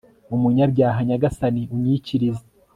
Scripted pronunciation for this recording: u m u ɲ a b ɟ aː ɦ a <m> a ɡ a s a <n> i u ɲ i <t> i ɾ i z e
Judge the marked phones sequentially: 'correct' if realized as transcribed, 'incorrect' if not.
incorrect: ɲ, correct, incorrect: c

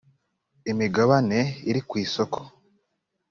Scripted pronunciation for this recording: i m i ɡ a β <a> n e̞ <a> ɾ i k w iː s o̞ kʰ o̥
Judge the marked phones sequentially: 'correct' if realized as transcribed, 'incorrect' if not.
correct, incorrect: i

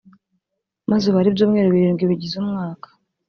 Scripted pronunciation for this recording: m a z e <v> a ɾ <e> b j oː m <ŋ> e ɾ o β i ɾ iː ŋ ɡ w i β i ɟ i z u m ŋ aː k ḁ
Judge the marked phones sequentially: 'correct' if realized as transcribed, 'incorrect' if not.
incorrect: β, incorrect: i, correct

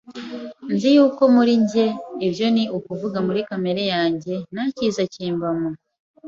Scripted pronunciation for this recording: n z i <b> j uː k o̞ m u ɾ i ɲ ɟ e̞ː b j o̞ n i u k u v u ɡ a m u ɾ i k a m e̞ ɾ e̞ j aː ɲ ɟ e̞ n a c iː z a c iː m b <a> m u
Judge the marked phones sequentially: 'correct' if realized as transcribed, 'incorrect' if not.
incorrect: none, correct

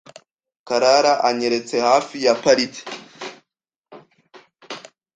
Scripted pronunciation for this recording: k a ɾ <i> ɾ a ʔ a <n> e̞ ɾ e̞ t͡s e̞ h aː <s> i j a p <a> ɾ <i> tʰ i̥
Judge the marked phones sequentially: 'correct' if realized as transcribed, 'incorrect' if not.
incorrect: a, incorrect: ɲ, incorrect: f, correct, correct

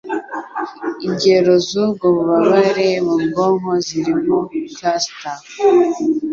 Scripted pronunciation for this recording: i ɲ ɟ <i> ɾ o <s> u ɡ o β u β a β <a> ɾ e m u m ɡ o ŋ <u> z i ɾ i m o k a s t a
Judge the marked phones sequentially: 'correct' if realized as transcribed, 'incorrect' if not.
incorrect: e, incorrect: z, correct, incorrect: o

